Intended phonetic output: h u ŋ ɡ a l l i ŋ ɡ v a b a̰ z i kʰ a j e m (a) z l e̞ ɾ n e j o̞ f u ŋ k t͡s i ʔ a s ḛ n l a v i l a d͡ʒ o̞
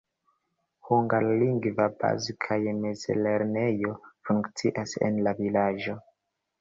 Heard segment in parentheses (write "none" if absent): e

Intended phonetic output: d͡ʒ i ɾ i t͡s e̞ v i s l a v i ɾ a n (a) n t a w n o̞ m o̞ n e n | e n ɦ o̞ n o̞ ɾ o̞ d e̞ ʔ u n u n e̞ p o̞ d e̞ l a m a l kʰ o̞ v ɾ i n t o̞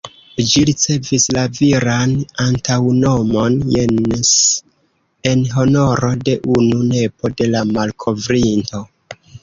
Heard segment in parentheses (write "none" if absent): a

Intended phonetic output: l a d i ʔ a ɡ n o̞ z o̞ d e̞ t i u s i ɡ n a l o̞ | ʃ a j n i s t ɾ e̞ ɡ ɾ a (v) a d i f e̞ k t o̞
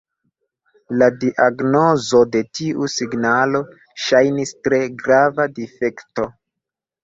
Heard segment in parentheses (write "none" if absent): v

